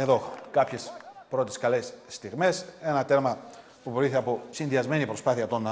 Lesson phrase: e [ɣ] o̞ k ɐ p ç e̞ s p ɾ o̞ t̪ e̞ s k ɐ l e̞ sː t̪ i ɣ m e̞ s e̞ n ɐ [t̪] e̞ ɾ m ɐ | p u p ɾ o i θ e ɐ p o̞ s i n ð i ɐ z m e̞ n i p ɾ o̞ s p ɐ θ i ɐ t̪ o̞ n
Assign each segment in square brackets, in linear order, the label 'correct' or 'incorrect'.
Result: incorrect: ð, correct

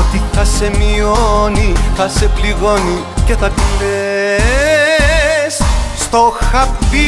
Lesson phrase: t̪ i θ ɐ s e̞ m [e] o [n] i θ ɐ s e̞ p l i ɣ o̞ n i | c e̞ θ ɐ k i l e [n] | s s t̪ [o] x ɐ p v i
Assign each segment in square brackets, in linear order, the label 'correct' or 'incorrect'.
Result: incorrect: i, correct, incorrect: none, correct

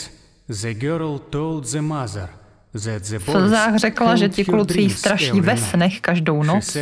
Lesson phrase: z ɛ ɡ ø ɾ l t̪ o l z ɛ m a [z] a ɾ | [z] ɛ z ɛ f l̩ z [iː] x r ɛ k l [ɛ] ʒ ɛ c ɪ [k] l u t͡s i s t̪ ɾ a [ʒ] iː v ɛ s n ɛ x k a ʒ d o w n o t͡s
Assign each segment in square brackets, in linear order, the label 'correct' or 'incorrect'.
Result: correct, correct, incorrect: aː, incorrect: a, correct, incorrect: ʃ

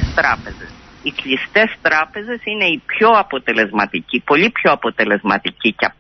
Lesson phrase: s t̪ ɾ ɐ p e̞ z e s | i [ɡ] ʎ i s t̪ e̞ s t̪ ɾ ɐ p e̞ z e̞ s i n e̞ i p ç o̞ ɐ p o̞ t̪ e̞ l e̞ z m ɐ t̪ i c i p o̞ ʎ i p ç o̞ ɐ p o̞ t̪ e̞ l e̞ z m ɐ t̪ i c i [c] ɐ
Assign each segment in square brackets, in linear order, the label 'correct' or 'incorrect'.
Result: incorrect: k, correct

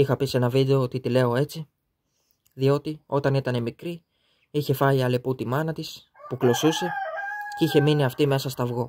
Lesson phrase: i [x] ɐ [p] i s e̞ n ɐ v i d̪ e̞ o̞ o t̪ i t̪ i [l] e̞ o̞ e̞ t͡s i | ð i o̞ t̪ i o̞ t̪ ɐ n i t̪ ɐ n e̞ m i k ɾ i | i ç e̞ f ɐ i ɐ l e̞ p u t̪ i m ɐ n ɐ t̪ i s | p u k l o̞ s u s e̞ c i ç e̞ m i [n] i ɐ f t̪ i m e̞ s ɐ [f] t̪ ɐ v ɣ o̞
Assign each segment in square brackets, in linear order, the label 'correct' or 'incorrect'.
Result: correct, correct, correct, correct, incorrect: s

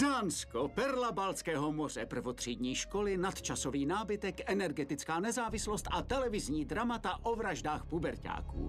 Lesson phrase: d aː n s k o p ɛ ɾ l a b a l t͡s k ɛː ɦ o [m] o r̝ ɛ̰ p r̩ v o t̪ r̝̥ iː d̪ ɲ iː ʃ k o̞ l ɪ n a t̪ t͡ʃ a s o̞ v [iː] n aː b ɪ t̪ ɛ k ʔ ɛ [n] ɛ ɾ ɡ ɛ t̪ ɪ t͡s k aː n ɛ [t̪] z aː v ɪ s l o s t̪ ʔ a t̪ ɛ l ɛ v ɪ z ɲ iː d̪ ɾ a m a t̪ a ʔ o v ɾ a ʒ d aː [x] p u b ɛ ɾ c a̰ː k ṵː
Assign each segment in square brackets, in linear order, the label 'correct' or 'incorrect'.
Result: correct, correct, correct, incorrect: none, correct

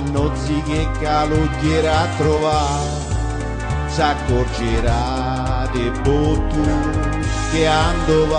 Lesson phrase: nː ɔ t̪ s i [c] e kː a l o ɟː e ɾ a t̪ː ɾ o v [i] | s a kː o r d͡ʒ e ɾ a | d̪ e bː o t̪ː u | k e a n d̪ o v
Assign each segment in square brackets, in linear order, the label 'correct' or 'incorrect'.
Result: incorrect: k, incorrect: a

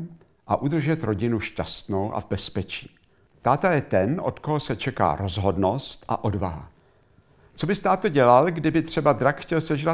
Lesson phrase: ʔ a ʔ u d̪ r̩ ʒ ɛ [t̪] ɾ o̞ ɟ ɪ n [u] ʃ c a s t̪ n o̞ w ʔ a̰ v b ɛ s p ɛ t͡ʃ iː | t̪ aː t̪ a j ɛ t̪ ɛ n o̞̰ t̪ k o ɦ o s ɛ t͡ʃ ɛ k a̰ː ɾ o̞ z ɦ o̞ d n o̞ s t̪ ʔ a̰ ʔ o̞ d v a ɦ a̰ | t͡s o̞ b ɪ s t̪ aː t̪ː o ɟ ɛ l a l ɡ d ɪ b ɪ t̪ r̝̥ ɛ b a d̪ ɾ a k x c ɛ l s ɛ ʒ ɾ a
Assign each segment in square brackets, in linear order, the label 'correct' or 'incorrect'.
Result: correct, correct

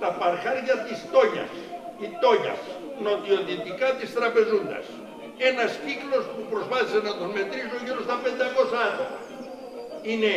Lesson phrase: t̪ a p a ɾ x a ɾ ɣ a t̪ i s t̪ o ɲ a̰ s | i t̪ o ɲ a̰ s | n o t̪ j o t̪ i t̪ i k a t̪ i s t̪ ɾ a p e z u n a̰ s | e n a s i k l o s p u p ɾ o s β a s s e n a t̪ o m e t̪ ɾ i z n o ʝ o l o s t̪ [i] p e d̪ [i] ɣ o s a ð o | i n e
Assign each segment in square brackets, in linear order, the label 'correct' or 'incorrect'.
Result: incorrect: a, incorrect: a

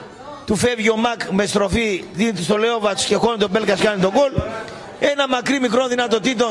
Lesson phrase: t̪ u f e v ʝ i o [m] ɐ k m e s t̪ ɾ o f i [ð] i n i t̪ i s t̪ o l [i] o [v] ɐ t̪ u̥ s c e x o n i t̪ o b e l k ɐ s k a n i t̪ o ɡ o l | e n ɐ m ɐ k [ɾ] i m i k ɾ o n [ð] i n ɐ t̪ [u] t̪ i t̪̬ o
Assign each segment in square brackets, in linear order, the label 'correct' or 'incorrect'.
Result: correct, correct, incorrect: e, correct, correct, correct, incorrect: o

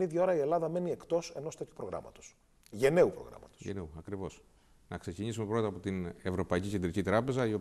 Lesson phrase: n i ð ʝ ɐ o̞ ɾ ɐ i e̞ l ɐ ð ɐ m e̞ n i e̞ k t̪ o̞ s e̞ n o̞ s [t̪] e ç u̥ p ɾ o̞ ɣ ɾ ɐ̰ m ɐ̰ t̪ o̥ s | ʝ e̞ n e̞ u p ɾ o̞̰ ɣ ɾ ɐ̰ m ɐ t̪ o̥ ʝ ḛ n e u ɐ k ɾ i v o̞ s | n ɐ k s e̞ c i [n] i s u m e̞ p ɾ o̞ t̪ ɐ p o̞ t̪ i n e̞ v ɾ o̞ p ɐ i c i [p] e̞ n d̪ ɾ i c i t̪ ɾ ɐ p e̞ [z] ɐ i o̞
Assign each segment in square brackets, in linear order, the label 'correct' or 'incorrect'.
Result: correct, incorrect: ɲ, incorrect: c, correct

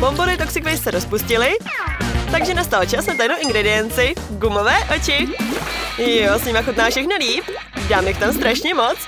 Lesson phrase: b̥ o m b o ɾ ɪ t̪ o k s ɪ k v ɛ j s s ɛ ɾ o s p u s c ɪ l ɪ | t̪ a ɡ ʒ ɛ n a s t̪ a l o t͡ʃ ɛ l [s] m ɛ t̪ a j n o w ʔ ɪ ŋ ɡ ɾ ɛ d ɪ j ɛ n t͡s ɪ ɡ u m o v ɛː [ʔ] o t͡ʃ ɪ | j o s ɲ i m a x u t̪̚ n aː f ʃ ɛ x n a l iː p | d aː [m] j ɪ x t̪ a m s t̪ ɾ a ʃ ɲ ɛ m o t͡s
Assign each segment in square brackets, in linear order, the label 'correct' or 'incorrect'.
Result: correct, correct, correct

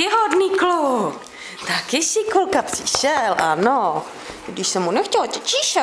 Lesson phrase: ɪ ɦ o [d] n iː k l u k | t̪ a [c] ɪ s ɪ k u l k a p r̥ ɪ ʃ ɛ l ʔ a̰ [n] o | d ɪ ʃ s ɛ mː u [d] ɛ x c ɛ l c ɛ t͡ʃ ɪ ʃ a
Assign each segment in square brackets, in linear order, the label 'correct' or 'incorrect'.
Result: correct, incorrect: k, correct, incorrect: n

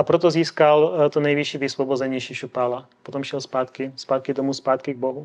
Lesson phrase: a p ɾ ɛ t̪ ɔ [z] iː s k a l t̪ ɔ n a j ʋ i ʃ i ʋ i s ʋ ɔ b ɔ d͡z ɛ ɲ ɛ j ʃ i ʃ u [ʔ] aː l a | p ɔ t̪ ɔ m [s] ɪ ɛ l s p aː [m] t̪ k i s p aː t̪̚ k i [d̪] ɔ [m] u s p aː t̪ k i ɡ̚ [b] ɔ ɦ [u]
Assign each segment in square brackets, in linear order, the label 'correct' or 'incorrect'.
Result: correct, incorrect: p, incorrect: ʃ, incorrect: none, correct, correct, correct, correct

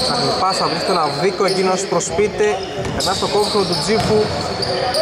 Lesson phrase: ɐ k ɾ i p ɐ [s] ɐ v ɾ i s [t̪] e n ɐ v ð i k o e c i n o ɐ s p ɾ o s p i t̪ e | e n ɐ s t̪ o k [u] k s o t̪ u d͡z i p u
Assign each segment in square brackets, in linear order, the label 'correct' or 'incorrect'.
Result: correct, correct, incorrect: o

